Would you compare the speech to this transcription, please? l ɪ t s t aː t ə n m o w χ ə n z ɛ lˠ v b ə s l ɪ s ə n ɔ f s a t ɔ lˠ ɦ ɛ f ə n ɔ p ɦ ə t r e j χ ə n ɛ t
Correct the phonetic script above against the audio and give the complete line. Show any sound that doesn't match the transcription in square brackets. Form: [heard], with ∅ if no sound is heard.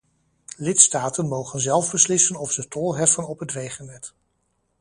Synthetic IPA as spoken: l ɪ t s t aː t ə n m o w χ ə n z ɛ lˠ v b ə s l ɪ s ə n ɔ f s [ə] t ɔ lˠ ɦ ɛ f ə n ɔ p ɦ ə t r e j χ ə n ɛ t